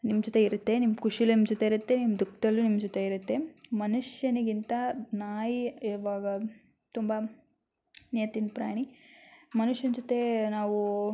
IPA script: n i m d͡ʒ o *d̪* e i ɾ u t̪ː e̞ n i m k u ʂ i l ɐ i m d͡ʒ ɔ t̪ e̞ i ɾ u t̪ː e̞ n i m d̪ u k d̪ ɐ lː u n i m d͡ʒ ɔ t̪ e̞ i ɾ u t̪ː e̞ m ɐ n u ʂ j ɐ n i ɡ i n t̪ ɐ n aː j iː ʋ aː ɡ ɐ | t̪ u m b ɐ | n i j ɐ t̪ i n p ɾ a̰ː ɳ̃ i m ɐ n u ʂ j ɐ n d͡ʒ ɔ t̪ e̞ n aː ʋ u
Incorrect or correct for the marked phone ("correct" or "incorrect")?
incorrect